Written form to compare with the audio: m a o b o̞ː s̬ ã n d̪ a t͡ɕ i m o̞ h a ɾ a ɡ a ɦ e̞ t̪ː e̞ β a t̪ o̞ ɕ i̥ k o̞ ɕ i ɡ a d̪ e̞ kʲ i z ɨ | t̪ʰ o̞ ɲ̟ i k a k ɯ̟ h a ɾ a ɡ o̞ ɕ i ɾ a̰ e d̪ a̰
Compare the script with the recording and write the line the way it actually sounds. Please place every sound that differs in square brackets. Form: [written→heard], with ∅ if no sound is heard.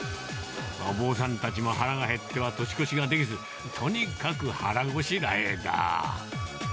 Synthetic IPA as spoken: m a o b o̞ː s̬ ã n [d̪→t̪] a t͡ɕ i m o̞ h a ɾ a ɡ a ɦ e̞ t̪ː e̞ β a t̪ o̞ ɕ i̥ k o̞ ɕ i ɡ a d̪ e̞ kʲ i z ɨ | t̪ʰ o̞ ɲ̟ i k a k ɯ̟ h a ɾ a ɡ o̞ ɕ i ɾ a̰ e d̪ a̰